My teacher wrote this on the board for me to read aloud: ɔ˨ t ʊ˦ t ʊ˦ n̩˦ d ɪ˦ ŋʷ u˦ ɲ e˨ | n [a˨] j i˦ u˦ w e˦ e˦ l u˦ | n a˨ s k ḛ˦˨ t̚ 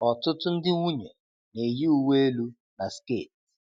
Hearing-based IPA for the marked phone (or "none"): e˨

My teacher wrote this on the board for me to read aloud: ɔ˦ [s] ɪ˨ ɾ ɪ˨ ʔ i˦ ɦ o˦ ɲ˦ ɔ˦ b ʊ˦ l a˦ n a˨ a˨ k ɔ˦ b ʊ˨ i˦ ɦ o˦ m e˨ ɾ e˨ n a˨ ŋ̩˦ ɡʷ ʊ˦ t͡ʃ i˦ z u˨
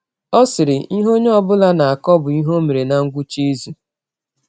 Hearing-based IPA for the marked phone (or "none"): s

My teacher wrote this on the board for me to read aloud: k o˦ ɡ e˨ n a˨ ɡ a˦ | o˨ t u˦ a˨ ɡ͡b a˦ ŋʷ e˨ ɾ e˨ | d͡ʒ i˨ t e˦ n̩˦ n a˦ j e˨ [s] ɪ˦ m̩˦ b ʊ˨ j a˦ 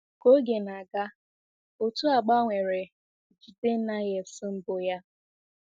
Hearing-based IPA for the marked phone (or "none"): s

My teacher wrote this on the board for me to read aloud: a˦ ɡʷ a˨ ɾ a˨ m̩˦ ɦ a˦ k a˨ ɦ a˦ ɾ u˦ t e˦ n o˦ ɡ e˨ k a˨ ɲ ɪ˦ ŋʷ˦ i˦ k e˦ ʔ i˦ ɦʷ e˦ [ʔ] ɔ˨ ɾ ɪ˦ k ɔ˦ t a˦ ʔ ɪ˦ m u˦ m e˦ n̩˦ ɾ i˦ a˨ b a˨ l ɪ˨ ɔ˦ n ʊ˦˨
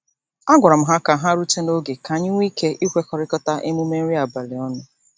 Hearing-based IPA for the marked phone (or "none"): k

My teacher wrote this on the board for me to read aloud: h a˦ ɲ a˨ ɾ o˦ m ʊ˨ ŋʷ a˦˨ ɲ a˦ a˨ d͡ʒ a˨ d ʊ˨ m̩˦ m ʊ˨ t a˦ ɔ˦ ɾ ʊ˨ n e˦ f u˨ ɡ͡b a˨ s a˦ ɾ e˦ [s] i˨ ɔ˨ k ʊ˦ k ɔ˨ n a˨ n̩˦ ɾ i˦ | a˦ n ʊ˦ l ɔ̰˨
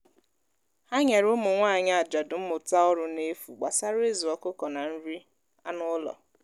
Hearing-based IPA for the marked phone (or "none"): z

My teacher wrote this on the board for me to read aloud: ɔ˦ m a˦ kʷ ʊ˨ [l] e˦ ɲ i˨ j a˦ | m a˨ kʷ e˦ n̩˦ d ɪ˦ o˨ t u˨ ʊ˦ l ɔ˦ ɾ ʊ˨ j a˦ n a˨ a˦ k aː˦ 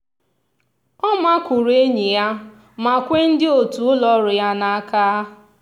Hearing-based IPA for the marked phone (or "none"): ɾ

